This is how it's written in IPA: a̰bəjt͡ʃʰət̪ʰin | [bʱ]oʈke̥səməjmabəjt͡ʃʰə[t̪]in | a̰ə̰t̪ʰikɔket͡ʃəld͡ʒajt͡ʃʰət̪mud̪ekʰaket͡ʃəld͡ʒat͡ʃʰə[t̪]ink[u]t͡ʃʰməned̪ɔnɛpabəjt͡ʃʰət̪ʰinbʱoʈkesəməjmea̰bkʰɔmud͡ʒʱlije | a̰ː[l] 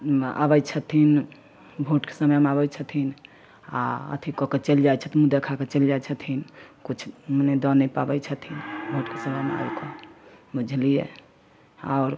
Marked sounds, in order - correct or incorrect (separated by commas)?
correct, incorrect, incorrect, correct, incorrect